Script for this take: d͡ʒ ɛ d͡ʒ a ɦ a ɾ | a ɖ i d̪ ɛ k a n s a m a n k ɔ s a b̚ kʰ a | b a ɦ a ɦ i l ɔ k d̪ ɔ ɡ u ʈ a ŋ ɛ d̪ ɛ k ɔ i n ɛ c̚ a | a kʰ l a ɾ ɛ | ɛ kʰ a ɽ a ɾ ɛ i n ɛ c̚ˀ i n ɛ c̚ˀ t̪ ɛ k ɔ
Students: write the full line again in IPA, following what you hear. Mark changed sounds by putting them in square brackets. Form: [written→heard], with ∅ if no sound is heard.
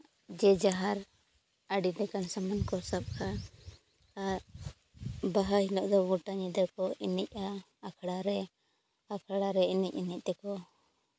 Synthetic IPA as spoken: d͡ʒ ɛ d͡ʒ a ɦ a ɾ | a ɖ i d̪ ɛ k a n s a m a n k ɔ s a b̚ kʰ a | b a ɦ a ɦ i l ɔ [k→ʔ] d̪ ɔ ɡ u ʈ a [ŋ→ɲ] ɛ d̪ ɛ k ɔ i n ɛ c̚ a | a kʰ [l→ɽ] a ɾ ɛ | [ɛ→a] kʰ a ɽ a ɾ ɛ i n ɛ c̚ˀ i n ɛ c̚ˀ t̪ ɛ k ɔ